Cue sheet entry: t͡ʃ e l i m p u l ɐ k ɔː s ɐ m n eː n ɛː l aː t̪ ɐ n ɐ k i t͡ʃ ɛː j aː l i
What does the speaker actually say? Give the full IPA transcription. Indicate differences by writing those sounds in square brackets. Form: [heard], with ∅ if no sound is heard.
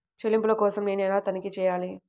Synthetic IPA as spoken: t͡ʃ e l i m p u l ɐ k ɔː s ɐ m n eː n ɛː l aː t̪ ɐ n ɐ k i t͡ʃ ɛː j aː l i